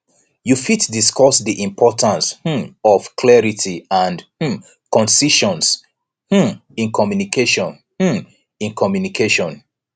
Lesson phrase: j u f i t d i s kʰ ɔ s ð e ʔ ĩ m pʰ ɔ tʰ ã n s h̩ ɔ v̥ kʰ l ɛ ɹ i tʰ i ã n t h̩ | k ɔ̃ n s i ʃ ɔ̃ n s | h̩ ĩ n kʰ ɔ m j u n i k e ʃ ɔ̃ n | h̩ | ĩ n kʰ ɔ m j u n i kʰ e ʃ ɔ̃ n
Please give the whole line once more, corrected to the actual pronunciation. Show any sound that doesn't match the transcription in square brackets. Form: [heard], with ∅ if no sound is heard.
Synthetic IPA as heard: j u f i t d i s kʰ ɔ s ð [i] ʔ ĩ m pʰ ɔ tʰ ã n s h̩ ɔ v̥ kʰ l ɛ ɹ i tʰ i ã n [d] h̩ | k ɔ̃ n s i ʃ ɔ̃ n s | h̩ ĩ n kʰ ɔ m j u n i k e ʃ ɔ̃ n | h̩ | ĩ n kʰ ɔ m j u n i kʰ e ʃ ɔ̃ n